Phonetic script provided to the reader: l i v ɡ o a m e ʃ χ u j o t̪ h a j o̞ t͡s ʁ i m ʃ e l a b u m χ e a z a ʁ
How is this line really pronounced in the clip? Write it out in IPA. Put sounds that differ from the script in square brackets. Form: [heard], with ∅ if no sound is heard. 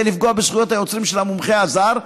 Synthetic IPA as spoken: l i [f] ɡ o a [b] e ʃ χ u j o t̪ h a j o̞ t͡s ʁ i m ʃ e l a [m] u m χ e a z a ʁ